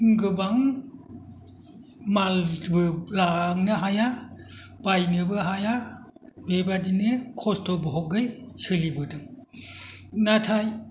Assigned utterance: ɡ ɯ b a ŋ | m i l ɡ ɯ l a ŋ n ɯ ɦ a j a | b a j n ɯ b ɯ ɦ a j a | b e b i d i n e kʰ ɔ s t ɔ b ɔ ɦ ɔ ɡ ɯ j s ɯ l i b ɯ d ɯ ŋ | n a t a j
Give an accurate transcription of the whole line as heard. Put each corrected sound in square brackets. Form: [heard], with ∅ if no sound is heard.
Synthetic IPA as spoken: ɡ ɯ b a ŋ | m [a] l [b] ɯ l a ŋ n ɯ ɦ a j a | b a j n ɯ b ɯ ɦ a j a | b e b [a] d i n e kʰ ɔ s t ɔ b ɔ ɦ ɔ ɡ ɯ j s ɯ l i b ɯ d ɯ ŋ | n a [tʰ] a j